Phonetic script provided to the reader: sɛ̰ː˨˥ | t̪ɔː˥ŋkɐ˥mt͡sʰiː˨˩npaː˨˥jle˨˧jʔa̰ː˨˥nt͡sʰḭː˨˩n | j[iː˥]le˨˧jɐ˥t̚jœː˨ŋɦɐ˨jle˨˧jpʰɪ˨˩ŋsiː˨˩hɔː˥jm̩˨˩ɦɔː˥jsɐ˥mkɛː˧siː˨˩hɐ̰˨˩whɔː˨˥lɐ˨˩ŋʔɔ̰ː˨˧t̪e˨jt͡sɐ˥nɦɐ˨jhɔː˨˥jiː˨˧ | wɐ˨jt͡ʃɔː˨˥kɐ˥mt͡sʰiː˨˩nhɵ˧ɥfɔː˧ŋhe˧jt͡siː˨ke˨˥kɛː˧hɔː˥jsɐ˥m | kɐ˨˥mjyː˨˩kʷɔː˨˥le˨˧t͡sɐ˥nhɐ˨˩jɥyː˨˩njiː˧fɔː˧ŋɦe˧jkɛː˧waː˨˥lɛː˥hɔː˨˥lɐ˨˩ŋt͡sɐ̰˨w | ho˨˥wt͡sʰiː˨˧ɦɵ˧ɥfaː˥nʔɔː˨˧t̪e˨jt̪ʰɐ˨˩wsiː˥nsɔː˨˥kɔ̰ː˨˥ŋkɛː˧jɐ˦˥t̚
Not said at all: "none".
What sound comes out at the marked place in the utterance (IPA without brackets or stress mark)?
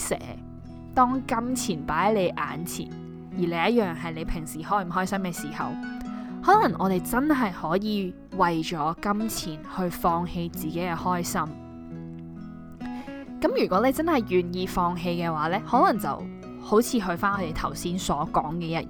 iː˨˩